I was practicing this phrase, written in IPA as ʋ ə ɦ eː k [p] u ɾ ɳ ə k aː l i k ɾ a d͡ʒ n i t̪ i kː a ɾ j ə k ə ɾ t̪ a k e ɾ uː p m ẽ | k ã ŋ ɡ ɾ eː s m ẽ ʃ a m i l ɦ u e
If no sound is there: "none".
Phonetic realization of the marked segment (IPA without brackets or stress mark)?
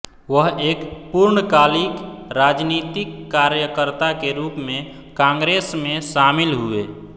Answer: p